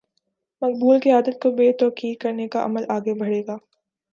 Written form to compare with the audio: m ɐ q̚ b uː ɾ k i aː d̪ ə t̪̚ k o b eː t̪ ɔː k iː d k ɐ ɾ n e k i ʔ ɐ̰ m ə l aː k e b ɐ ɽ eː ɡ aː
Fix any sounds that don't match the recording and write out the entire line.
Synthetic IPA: m ɐ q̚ b uː l k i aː d̪ ə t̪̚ k o b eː t̪ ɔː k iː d k ɐ ɾ n e k a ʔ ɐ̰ m ə l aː ɡ e b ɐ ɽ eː ɡ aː